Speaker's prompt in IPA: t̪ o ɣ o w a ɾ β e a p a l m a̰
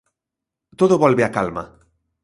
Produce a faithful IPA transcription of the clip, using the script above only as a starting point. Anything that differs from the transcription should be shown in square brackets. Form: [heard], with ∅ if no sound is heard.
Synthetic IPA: t̪ o [ð] o [β] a [l] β e a [k] a l m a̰